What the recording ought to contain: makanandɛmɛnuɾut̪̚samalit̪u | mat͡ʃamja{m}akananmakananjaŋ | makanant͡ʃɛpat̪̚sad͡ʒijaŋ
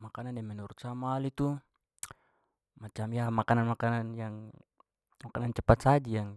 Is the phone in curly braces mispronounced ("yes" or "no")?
no